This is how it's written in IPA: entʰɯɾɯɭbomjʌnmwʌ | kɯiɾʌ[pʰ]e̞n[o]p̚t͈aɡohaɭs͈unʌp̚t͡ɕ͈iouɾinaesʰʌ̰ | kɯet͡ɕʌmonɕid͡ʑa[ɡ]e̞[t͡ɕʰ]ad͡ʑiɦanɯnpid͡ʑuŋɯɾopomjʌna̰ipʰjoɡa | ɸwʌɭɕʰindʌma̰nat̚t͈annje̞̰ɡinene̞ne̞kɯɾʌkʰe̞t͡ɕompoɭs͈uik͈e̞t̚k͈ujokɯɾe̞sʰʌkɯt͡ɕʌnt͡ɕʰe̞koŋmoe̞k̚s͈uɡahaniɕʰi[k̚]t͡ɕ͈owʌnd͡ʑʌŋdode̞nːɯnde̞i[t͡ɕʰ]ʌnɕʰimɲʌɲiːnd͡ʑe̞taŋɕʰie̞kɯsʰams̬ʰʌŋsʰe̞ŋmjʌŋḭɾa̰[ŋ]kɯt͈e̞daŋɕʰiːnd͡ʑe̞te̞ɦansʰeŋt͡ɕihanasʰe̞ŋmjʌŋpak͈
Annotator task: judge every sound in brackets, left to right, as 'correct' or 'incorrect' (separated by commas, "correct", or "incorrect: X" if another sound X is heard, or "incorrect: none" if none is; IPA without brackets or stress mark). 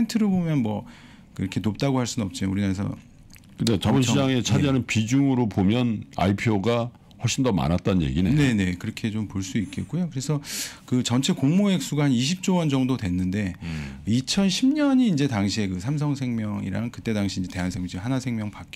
incorrect: kʰ, correct, incorrect: ŋ, correct, incorrect: p̚, correct, correct